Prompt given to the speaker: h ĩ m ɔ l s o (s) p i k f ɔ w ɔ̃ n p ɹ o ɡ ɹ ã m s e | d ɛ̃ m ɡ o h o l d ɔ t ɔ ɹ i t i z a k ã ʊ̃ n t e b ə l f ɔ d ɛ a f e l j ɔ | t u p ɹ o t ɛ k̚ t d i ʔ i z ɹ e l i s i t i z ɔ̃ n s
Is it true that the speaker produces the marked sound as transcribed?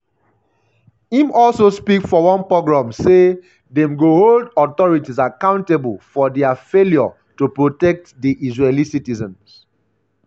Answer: yes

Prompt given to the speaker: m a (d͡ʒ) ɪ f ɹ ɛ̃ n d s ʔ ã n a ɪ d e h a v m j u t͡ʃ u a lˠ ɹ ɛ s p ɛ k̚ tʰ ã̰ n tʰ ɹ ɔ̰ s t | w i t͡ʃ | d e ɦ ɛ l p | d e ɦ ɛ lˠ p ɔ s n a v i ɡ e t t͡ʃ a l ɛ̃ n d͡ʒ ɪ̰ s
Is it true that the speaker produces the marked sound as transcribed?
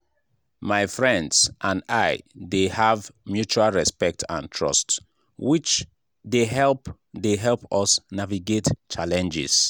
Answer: no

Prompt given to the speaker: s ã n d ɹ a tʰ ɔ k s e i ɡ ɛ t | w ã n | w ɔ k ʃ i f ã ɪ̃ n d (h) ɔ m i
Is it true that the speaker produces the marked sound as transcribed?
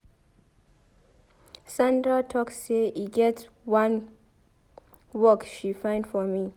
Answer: no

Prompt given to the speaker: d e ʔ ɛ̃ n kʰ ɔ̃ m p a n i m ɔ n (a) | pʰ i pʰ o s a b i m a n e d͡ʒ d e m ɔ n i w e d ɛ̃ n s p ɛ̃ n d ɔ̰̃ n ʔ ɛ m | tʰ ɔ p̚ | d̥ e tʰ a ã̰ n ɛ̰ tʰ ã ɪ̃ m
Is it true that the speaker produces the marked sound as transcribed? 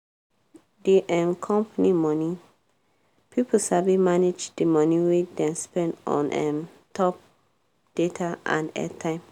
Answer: no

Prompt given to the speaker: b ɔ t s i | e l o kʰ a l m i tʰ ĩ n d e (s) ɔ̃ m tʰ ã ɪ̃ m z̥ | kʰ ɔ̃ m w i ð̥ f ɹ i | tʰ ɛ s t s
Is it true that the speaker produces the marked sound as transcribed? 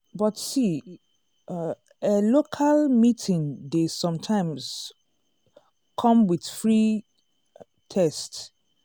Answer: yes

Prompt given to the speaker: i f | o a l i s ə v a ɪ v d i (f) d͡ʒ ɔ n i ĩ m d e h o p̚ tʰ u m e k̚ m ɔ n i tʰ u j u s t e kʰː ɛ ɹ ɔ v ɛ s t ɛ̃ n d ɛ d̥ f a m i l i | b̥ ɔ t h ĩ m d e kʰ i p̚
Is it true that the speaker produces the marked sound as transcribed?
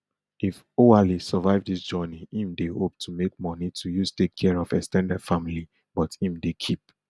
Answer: no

